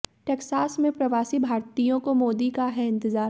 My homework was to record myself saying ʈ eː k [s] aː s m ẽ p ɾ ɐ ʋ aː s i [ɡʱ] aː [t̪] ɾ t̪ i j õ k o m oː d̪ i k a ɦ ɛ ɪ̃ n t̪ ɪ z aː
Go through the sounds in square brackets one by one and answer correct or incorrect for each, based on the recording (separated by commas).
correct, incorrect, incorrect